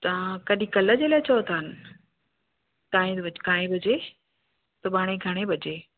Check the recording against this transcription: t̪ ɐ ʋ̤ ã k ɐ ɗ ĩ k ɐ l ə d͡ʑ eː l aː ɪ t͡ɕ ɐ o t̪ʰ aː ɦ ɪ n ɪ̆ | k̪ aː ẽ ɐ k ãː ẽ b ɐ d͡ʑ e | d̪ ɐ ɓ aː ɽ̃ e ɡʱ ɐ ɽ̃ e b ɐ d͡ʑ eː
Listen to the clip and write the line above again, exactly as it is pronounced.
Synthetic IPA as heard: t̪ ɐ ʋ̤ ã k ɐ ɗ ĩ k ɐ l ə d͡ʑ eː l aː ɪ t͡ɕ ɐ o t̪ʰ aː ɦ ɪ n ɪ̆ | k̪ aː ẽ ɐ k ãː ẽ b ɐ d͡ʑ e | t̪ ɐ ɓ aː ɽ̃ e ɡʱ ɐ ɽ̃ e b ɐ d͡ʑ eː